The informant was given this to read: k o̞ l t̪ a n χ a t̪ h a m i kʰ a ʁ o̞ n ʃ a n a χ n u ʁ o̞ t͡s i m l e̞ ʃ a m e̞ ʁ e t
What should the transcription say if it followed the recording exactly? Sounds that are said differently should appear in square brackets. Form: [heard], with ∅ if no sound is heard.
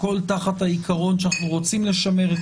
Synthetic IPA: k o̞ l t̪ a [∅] χ a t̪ h a [∅] i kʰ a ʁ o̞ n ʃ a n a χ n u ʁ o̞ t͡s i m l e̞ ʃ a m e̞ ʁ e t